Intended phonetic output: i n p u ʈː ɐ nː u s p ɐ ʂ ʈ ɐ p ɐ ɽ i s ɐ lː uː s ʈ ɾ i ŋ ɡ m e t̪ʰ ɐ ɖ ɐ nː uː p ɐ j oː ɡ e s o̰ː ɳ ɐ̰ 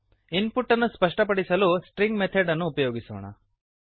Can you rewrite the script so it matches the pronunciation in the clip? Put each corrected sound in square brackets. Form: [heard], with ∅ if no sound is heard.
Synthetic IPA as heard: i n p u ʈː ɐ nː u s p ɐ ʂ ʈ ɐ p ɐ ɽ i s ɐ [l] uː s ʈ ɾ i ŋ ɡ m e t̪ʰ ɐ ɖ ɐ nː uː p ɐ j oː ɡ [i] s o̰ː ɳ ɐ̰